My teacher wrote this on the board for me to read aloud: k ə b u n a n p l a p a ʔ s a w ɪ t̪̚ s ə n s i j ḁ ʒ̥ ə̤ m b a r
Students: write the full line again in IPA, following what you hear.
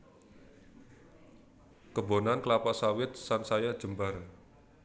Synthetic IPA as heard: k ə b o n a n k l a p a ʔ s a w ɪ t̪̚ s a n s a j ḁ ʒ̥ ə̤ m b a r